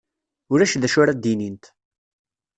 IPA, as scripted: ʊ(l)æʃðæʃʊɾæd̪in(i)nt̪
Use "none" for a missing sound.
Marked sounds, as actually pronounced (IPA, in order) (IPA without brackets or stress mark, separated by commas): ɾ, i